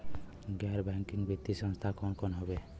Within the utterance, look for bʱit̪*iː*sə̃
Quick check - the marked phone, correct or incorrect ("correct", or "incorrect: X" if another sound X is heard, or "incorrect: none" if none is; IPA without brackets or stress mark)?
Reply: incorrect: i